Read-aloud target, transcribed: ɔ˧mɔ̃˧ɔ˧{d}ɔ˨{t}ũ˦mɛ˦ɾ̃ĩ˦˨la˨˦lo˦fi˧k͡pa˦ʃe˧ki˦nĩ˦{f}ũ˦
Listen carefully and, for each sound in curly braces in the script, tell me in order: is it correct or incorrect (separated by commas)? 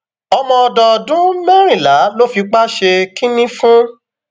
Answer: correct, incorrect, correct